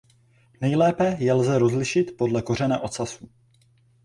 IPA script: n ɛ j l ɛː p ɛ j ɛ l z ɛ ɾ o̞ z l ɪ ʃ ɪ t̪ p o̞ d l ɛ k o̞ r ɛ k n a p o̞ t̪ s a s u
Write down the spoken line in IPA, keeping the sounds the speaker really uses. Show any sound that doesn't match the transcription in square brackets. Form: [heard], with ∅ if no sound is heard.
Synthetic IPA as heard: n ɛ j l ɛː p ɛ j ɛ l z ɛ ɾ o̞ z l ɪ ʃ ɪ t̪ p o̞ d l ɛ k o̞ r ɛ [∅] n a [ʔ] o̞ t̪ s a s u